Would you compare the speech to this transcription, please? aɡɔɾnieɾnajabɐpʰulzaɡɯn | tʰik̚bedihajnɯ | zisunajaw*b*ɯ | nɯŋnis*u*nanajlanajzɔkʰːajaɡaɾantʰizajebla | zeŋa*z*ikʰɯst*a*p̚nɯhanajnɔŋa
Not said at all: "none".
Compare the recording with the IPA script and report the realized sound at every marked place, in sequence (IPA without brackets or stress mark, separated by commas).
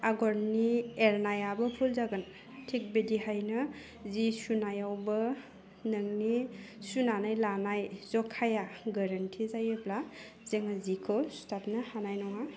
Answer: b, u, z, a